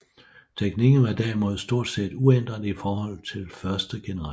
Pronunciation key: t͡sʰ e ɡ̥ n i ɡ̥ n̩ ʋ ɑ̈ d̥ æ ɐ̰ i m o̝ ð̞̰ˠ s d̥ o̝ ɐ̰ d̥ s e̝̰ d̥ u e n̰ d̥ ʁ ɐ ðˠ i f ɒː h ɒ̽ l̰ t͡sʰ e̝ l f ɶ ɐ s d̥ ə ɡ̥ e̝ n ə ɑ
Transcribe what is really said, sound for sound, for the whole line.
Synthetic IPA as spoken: t͡sʰ e ɡ̥ n i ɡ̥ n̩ ʋ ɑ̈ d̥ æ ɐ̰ i m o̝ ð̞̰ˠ s d̥ o̝ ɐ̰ d̥ s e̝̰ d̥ u e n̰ d̥ ʁ ɐ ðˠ i f ɒː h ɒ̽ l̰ t͡sʰ e̝ l f ɶ ɐ s d̥ ə ɡ̥ e̝ n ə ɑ